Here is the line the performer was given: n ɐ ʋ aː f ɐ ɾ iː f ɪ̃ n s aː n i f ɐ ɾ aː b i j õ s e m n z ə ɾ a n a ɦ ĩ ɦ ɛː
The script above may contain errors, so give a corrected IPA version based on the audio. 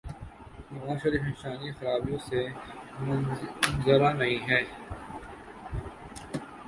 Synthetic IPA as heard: n ɐ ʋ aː ʃ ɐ ɾ iː f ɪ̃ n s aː n i x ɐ ɾ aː b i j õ s e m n z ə ɾ a n ɐ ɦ ĩ ɦ ɛː